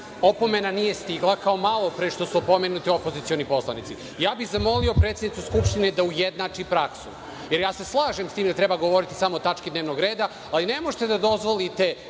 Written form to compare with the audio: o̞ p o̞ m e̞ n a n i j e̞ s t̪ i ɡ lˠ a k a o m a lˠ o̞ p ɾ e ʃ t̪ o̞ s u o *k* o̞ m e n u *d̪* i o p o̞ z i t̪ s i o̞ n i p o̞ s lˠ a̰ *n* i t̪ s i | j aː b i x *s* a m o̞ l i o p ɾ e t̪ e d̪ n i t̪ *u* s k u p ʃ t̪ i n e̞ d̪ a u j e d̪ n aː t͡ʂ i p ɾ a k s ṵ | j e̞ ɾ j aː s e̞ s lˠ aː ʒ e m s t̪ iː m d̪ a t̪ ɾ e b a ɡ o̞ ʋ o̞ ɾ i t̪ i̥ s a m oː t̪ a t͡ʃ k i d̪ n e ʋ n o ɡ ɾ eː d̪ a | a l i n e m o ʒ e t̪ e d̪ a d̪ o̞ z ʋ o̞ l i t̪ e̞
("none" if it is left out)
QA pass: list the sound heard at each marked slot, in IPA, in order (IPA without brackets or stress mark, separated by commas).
p, t̪, n, z, u